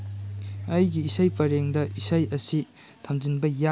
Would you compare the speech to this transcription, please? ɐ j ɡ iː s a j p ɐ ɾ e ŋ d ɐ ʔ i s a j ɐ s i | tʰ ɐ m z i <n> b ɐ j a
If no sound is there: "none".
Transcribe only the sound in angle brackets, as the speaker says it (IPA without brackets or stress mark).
n